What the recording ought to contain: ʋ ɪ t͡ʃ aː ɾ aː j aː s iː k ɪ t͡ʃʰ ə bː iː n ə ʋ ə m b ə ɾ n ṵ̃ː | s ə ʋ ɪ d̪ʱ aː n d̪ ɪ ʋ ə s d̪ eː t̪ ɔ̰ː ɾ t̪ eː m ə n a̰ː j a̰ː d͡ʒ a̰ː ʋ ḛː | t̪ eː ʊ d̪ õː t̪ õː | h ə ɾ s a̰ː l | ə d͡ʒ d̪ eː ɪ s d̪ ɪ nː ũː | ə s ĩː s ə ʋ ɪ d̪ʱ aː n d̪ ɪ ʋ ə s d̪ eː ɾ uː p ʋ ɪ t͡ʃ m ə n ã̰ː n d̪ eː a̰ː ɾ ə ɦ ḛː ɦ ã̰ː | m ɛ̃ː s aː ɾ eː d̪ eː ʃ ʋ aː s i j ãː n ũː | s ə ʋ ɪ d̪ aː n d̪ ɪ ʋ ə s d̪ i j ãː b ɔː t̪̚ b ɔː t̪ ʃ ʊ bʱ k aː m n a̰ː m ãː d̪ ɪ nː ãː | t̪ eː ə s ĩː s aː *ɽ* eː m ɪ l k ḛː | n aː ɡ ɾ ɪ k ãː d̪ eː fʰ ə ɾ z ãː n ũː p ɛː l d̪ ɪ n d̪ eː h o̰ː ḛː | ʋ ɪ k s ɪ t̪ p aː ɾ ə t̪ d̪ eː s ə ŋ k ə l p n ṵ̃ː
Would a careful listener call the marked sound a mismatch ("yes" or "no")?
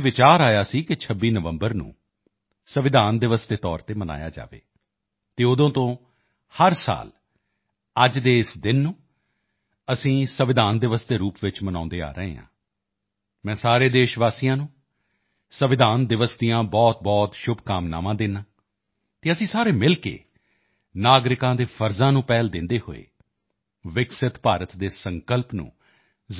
yes